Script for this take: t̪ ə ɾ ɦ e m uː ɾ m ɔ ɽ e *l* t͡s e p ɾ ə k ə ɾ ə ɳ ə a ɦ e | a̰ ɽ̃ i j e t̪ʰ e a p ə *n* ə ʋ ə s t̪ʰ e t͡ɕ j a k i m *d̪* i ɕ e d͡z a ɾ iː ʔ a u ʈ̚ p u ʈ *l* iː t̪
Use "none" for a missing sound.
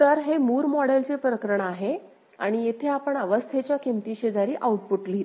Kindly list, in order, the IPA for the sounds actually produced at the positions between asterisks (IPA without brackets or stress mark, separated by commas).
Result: l, ɳ, t̪, l